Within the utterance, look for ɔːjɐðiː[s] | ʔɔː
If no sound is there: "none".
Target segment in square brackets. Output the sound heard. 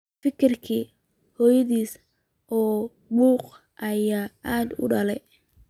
s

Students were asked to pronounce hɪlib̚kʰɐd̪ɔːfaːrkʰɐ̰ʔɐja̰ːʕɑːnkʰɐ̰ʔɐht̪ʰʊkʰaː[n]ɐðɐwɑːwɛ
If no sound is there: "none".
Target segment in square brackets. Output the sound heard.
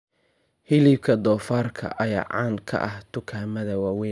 m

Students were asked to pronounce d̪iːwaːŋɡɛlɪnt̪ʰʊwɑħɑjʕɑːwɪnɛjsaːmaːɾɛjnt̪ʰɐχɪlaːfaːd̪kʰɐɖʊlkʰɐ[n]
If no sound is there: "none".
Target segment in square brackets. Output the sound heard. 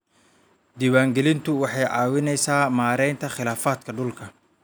none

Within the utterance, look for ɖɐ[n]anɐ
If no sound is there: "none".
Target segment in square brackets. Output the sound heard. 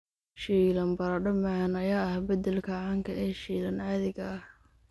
m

